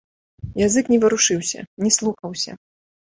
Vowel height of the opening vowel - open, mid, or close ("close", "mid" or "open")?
open